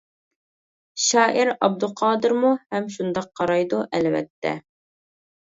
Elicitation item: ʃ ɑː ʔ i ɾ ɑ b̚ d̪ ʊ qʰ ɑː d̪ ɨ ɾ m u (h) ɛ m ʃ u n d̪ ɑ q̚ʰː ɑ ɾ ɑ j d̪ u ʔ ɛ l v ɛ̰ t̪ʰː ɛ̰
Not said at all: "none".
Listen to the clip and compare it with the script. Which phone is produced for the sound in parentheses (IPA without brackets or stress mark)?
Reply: h